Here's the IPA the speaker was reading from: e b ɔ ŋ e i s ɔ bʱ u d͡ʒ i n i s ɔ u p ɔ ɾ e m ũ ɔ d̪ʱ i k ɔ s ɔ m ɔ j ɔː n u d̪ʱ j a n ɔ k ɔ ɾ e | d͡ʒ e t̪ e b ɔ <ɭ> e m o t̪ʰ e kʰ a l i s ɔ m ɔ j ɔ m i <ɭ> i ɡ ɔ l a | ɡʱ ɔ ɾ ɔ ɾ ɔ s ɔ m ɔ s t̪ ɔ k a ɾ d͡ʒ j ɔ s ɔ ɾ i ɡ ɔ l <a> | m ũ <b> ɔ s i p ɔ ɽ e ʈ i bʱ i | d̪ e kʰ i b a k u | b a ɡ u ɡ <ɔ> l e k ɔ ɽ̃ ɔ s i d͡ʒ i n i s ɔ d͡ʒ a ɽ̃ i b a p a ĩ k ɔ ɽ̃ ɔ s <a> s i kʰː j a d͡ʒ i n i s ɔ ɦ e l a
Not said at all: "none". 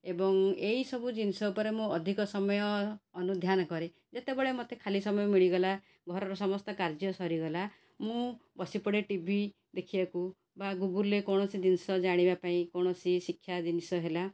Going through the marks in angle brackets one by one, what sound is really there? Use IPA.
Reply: ɭ, ɭ, a, b, u, i

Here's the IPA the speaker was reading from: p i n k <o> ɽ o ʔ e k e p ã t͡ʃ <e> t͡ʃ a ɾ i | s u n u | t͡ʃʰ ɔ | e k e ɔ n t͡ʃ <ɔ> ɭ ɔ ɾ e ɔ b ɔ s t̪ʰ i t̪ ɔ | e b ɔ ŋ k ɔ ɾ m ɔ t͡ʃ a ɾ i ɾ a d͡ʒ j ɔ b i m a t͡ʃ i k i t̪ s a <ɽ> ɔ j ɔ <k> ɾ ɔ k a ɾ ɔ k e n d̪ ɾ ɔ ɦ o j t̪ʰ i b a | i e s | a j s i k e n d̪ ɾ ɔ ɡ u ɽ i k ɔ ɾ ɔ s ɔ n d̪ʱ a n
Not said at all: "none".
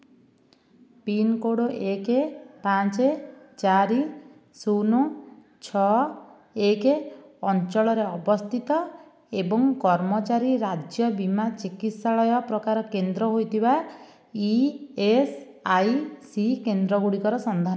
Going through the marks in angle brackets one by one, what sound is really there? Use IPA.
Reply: o, e, ɔ, ɭ, p

